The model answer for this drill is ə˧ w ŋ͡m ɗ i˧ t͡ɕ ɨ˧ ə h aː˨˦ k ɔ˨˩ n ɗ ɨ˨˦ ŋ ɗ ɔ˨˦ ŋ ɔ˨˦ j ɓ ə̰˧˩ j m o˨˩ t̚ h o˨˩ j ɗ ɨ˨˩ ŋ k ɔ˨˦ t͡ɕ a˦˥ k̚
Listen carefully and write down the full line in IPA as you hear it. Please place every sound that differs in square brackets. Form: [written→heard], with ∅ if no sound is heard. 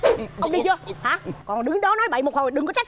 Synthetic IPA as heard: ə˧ w ŋ͡m ɗ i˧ t͡ɕ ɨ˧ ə h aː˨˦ k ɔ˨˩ n ɗ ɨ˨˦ ŋ ɗ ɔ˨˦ [ŋ→n] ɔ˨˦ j ɓ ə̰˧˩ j m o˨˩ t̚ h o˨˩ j ɗ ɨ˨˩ ŋ k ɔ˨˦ t͡ɕ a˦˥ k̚

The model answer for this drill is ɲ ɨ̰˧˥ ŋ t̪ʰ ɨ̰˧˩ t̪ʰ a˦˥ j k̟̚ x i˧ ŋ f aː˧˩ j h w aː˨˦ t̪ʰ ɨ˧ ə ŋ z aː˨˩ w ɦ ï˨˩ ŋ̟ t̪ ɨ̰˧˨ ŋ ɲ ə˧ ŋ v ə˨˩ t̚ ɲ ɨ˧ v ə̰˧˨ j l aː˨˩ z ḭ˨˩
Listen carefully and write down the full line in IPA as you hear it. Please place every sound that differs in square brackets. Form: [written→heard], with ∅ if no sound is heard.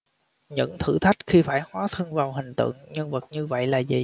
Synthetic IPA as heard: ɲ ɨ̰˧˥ ŋ t̪ʰ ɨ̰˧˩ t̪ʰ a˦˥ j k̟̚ x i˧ [ŋ→∅] f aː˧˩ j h w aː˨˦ t̪ʰ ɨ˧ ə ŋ [z→v] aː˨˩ w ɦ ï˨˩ ŋ̟ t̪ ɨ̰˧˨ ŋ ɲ ə˧ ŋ v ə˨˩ t̚ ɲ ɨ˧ v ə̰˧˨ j l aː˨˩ z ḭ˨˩

